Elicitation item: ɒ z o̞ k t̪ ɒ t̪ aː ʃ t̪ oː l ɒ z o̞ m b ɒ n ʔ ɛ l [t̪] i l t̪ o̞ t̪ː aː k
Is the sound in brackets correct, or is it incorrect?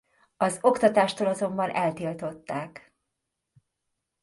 correct